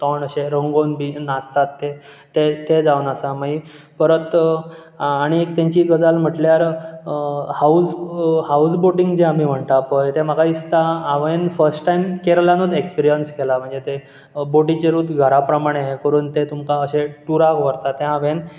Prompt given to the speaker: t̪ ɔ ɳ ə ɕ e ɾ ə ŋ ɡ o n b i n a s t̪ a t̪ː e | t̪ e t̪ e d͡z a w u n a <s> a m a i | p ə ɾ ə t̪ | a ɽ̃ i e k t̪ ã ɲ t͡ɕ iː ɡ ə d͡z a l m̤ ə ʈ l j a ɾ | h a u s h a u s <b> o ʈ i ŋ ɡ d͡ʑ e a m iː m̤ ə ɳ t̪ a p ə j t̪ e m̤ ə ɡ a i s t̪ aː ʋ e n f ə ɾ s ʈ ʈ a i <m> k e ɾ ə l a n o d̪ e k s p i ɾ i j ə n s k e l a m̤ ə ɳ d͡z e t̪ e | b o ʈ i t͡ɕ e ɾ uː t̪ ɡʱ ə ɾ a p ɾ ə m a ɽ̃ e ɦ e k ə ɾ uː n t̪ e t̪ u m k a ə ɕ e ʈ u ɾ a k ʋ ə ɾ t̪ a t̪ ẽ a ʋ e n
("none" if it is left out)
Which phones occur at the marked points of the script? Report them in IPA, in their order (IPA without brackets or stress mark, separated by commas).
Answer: s, b, m